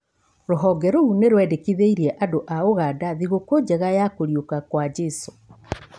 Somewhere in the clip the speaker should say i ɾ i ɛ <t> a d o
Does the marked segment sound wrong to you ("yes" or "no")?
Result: yes